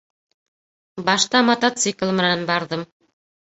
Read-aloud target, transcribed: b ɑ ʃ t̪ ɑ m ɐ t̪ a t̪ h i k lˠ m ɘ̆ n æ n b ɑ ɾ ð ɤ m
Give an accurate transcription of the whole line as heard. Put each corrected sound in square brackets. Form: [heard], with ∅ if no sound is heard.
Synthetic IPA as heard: b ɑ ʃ t̪ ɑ m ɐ t̪ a t̪ [s] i k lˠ m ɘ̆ n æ n b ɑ ɾ ð ɤ m

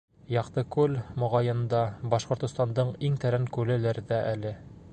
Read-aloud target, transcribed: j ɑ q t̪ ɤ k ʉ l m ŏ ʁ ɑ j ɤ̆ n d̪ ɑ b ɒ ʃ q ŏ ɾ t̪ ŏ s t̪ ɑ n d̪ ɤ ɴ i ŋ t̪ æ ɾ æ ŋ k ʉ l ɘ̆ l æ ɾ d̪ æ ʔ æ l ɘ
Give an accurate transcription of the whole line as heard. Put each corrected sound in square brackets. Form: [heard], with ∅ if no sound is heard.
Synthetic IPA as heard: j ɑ q t̪ ɤ k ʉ l m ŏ ʁ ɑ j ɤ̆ n d̪ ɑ b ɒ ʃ q ŏ ɾ t̪ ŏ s t̪ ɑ n d̪ ɤ ɴ i ŋ t̪ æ ɾ æ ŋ k ʉ l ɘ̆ l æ ɾ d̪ æ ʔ æ l ɘ

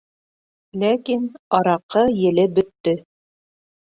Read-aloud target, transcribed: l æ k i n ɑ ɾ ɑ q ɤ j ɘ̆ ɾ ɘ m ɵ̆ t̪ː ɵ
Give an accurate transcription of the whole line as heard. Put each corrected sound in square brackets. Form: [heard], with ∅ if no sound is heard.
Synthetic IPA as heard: l æ k i n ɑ ɾ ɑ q ɤ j ɘ̆ [l] ɘ [b] ɵ̆ t̪ː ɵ

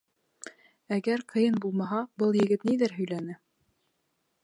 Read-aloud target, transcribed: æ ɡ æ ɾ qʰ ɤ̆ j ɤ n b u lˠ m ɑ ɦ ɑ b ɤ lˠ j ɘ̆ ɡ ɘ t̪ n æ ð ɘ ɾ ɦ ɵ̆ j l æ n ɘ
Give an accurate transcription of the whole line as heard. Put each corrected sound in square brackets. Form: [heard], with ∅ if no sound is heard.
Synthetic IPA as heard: æ ɡ æ ɾ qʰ ɤ̆ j ɤ n b u lˠ m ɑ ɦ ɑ b ɤ lˠ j ɘ̆ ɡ ɘ t̪ n [i] ð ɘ ɾ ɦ ɵ̆ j l æ n ɘ

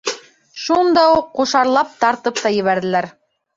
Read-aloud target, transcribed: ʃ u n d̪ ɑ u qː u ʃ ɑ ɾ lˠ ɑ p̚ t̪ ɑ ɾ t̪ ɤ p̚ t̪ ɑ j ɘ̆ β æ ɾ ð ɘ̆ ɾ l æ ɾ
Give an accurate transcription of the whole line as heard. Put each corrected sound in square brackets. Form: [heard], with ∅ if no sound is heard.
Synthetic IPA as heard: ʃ u n d̪ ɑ u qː u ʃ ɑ ɾ lˠ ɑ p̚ t̪ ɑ ɾ t̪ ɤ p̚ t̪ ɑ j ɘ̆ β æ ɾ ð ɘ̆ [∅] l æ ɾ

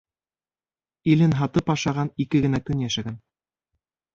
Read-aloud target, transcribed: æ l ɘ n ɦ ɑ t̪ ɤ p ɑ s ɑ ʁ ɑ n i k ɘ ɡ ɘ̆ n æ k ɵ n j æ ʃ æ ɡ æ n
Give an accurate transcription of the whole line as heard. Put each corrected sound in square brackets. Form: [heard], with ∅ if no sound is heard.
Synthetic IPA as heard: [i] l ɘ n ɦ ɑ t̪ ɤ p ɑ [ʃ] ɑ ʁ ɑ n i k ɘ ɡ ɘ̆ n æ k ɵ n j æ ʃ æ ɡ æ n

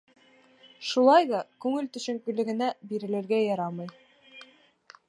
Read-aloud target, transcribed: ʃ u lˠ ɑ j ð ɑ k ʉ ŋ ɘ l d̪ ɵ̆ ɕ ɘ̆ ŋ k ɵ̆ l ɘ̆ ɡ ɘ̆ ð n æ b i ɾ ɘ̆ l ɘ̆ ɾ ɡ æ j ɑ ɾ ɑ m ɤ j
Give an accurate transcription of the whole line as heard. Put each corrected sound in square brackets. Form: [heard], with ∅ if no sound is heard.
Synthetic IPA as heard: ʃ u lˠ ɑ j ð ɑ k ʉ ŋ ɘ l [t̪] ɵ̆ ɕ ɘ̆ ŋ k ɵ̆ l ɘ̆ ɡ ɘ̆ [∅] n æ b i ɾ ɘ̆ l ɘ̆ ɾ ɡ æ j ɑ ɾ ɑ m ɤ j

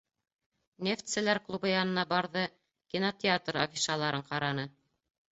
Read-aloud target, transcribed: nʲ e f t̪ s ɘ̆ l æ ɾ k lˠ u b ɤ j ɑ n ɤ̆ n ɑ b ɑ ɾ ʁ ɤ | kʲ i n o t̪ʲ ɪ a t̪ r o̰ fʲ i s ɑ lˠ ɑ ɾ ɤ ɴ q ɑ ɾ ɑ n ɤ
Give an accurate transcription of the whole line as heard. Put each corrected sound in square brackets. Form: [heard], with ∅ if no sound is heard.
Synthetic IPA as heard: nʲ e f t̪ s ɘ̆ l æ ɾ k lˠ u b ɤ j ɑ n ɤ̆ n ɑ b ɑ ɾ [ð] ɤ | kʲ i n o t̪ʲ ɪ a t̪ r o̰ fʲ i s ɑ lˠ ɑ ɾ ɤ ɴ q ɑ ɾ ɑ n ɤ

